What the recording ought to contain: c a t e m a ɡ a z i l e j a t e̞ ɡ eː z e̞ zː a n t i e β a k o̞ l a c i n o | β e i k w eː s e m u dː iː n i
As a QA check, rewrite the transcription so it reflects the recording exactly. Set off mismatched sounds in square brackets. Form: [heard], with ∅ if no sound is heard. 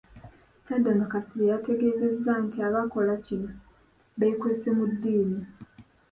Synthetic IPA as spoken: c a [d] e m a [k] a [s] i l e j a t e̞ ɡ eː z e̞ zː a n t i [a] β a k o̞ l a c i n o | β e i k w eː s e m u dː iː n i